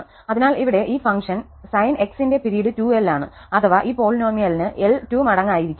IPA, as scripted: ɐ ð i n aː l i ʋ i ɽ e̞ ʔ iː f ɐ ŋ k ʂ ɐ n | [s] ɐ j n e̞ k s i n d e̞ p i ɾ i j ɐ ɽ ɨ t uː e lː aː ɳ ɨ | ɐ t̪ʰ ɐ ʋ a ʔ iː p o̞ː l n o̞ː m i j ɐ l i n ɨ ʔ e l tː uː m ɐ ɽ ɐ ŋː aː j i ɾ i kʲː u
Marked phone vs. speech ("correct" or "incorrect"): correct